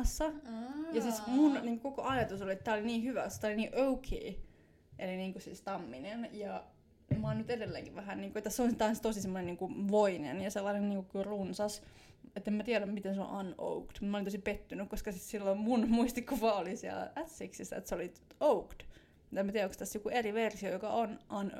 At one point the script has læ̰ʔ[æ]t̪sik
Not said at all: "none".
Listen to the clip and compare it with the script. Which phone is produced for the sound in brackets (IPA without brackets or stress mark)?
æ